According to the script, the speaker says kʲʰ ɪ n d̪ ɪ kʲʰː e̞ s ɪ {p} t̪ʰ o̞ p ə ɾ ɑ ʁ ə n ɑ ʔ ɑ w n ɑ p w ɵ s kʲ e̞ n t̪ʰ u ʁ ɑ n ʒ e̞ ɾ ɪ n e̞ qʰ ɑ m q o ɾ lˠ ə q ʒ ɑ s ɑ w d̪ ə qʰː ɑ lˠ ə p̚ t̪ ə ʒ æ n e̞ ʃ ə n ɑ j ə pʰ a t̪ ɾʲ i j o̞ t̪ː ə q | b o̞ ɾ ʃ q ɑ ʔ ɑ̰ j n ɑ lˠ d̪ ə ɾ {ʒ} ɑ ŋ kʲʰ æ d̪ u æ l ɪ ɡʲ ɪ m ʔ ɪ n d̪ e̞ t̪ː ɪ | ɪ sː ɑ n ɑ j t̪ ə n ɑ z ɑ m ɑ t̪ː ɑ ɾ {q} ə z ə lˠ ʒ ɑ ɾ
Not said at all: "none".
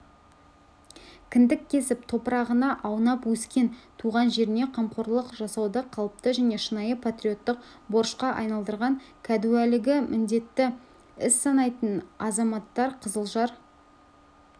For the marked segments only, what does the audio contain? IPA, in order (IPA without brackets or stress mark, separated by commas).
p, ʁ, qʰ